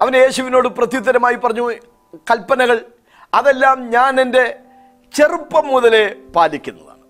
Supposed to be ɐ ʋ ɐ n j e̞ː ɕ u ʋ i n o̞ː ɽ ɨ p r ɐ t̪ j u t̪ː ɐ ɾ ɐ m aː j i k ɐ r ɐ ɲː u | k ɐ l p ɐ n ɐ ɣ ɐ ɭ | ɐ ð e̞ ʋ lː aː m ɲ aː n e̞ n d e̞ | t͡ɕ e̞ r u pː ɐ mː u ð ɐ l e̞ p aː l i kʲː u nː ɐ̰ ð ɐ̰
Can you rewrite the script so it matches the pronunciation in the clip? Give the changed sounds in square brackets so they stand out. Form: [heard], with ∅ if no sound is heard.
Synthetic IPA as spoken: ɐ ʋ ɐ n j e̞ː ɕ u ʋ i n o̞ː ɽ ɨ p r ɐ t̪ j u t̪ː ɐ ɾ ɐ m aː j i [p] ɐ r ɐ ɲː u | k ɐ l p ɐ n ɐ ɣ ɐ ɭ | ɐ ð e̞ [∅] lː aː m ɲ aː n e̞ n d e̞ | t͡ɕ e̞ r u pː ɐ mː u ð ɐ l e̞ p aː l i kʲː u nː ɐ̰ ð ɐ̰